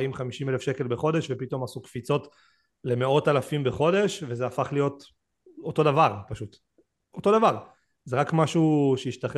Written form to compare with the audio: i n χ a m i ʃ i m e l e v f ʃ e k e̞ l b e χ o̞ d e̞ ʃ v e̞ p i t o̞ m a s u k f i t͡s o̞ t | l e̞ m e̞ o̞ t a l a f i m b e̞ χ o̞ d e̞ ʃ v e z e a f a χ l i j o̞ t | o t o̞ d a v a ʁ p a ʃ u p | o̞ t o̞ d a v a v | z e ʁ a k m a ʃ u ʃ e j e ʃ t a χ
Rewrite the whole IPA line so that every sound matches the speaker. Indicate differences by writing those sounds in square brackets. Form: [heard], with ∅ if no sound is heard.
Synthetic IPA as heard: i [m] χ a m i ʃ i m e l e [∅] f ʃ e k e̞ l b e χ o̞ d e̞ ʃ v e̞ p i t o̞ m a s u k f i t͡s o̞ t | l e̞ m e̞ o̞ t a l a f i m b e̞ χ o̞ d e̞ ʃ v e z e a f a χ l i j o̞ t | o t o̞ d a v a ʁ p a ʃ u [t] | o̞ t o̞ d a v a [ʁ] | z e ʁ a k m a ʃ u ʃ e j [i] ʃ t a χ